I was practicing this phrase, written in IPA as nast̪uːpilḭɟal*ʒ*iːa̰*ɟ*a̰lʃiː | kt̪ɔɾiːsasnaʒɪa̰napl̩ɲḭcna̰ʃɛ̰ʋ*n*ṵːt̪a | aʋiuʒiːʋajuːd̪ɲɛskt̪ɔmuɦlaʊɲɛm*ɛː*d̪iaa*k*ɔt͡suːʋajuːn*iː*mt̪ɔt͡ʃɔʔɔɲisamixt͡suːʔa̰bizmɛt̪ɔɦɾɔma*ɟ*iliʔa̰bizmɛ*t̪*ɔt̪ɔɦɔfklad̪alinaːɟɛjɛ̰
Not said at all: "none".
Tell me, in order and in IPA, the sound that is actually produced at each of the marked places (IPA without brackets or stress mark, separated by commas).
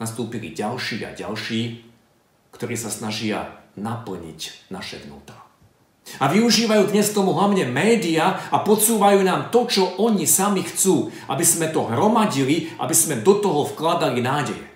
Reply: ʃ, ɟ, n, ɛː, p, aː, ɟ, d̪